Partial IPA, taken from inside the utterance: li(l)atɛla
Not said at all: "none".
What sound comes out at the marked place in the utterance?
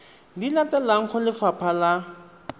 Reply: l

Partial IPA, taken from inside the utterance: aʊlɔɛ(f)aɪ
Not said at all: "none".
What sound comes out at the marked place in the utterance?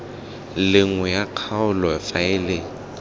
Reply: f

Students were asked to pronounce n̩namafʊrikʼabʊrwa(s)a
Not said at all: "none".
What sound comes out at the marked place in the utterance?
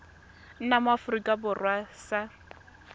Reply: s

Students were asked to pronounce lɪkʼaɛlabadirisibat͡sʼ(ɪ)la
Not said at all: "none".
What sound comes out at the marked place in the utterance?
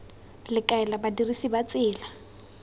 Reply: ɪː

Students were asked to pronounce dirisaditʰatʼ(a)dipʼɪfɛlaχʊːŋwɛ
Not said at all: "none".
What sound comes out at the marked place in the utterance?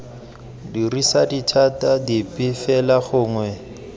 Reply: a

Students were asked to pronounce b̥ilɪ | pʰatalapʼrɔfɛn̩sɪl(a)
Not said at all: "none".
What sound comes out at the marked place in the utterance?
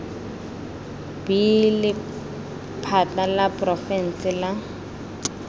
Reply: a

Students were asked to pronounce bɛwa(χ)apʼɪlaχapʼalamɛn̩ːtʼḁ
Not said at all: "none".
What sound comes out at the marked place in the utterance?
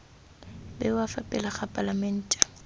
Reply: f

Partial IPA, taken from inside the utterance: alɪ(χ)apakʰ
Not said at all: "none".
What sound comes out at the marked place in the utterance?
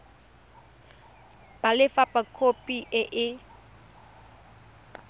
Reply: f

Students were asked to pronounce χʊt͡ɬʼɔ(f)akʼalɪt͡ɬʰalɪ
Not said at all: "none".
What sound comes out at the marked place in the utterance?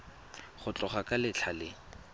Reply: χ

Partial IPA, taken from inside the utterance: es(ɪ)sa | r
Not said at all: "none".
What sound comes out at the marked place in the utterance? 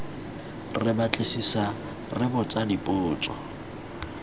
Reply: i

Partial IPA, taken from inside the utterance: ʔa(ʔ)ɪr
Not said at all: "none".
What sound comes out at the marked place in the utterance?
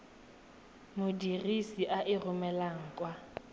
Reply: ʔ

